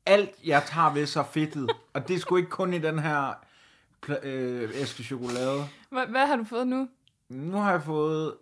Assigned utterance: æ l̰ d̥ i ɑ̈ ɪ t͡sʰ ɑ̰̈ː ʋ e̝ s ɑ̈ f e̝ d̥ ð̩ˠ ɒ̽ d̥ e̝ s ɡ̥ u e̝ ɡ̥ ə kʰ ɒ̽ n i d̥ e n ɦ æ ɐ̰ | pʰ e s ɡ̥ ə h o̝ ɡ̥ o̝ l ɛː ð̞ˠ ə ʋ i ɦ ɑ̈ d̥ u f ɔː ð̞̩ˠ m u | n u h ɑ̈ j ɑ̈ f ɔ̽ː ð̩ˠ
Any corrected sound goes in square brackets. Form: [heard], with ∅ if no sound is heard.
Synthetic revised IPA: æ l̰ d̥ [j] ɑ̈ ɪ t͡sʰ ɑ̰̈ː ʋ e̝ s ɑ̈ f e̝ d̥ ð̩ˠ ɒ̽ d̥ e̝ s ɡ̥ u e̝ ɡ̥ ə kʰ [ɔ̽] n i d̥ e n ɦ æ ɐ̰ | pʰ e s ɡ̥ ə [ɕ] o̝ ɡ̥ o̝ l ɛː ð̞ˠ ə ʋ [æ] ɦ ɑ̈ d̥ u f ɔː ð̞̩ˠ [n] u | n u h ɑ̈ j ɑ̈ f ɔ̽ː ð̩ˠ